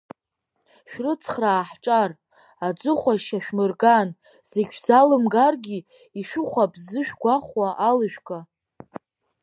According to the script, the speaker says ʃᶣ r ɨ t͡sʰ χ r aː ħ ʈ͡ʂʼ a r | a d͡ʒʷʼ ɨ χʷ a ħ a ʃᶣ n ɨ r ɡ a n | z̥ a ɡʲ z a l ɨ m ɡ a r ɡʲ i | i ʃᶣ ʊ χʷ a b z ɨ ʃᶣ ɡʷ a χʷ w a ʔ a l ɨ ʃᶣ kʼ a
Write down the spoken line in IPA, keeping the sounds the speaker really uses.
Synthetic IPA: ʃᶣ r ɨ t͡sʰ χ r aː ħ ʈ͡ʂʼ a r | a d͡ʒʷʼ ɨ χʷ a ʃ a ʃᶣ m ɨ r ɡ a n | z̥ e ɡʲ z a l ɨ m ɡ a r ɡʲ i | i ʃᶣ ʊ χʷ a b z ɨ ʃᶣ ɡʷ a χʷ w a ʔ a l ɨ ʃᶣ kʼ a